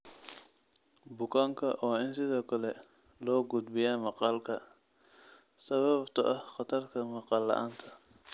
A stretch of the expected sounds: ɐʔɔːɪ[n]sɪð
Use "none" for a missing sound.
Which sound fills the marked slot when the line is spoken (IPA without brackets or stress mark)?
n